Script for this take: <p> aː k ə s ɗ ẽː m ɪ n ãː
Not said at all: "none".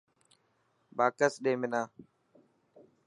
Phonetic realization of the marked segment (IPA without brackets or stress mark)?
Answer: b